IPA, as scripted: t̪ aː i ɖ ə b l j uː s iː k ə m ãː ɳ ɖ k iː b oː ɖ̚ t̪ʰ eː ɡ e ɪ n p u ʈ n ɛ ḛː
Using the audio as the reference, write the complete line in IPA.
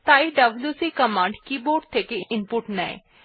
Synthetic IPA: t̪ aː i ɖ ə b l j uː s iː k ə m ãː ɳ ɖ k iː b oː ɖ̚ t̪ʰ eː k e ɪ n p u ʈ n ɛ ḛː